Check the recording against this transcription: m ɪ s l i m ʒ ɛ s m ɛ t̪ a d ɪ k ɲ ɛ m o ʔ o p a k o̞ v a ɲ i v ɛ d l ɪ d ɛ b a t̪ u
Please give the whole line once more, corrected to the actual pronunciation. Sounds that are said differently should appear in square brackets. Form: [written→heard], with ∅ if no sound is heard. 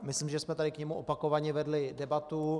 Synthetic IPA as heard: m ɪ s l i m ʒ ɛ s m ɛ t̪ a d ɪ k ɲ ɛ m [o→u] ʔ o p a k o̞ v a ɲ [i→ɛ] v ɛ d l ɪ d ɛ b a t̪ u